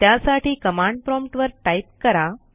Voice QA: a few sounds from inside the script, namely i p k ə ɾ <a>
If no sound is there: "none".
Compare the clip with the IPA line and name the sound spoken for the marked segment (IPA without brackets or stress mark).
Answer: a